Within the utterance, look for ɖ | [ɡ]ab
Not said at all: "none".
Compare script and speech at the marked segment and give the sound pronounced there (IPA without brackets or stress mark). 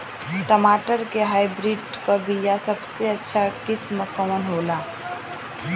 k